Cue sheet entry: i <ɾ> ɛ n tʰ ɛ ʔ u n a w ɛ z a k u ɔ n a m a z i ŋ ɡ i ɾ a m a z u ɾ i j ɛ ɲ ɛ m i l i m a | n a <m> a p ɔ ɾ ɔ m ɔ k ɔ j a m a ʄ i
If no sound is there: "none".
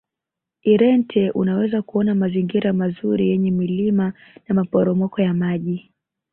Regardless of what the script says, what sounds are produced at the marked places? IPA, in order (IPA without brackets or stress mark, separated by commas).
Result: ɾ, m